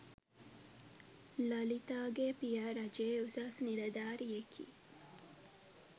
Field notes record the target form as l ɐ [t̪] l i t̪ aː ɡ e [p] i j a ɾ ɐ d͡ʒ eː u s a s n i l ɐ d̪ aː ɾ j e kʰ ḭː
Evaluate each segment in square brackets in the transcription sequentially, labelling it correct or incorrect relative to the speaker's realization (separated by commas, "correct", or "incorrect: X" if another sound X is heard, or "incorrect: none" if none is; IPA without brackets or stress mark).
incorrect: none, correct